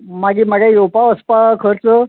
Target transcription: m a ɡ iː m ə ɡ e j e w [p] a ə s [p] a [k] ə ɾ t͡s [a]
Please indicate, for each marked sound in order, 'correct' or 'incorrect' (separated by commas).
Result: correct, correct, incorrect, incorrect